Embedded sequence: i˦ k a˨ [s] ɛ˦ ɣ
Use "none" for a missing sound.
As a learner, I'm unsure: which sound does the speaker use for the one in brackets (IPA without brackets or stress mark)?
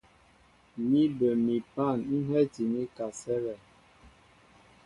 s